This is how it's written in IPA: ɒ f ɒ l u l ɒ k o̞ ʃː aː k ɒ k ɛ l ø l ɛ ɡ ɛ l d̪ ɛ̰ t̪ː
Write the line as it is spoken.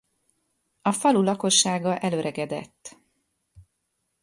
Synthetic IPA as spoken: ɒ f ɒ l u l ɒ k o̞ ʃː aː ɡ ɒ ʔ ɛ l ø ɾ ɛ ɡ ɛ d̪ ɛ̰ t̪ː